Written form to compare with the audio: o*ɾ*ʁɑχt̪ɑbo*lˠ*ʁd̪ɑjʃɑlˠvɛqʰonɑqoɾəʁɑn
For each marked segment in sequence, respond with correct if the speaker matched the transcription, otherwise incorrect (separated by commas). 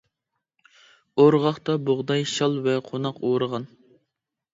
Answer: correct, incorrect